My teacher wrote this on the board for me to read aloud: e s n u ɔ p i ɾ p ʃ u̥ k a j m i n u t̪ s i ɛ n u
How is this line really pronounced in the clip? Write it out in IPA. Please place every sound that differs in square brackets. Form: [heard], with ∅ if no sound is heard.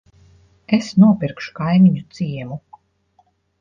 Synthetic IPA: e s n u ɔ p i ɾ [k] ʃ u̥ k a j m i [ɲ] u t̪ s i ɛ [m] u